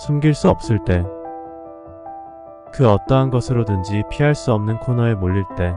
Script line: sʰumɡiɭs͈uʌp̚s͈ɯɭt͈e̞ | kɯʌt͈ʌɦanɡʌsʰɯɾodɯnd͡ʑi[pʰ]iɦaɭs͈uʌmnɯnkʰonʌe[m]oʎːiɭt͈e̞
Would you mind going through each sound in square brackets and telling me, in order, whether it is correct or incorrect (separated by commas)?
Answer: correct, correct